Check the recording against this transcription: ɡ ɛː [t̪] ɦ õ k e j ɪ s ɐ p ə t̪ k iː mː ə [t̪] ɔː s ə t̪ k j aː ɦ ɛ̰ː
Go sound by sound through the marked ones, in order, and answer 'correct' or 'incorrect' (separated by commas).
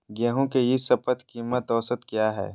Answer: incorrect, correct